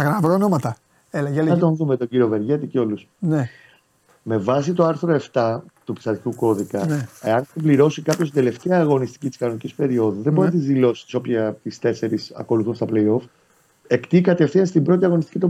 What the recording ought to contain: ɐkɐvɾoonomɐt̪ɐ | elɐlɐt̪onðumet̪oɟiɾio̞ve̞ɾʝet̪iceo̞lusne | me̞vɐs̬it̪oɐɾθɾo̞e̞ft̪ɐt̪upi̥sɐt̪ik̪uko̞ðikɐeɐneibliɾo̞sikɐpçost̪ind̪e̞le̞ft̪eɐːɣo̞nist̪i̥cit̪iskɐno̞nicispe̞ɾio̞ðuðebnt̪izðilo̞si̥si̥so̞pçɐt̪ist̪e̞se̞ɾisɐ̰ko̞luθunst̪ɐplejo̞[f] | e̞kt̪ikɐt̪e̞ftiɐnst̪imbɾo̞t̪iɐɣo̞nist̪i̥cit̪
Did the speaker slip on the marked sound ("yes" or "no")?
no